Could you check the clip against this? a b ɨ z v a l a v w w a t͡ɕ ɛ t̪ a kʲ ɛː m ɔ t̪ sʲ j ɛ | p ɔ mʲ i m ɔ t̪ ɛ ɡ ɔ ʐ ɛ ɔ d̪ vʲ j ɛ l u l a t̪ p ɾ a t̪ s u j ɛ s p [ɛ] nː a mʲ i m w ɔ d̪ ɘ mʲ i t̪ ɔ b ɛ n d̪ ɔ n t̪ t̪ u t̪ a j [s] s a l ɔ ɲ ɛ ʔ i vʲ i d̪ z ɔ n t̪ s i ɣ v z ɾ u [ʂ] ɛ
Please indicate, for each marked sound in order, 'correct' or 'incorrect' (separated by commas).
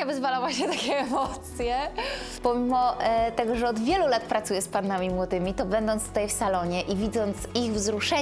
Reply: incorrect, incorrect, correct